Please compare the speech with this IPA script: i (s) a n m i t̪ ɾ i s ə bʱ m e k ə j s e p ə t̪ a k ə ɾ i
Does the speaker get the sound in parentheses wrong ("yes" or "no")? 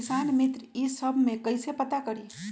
no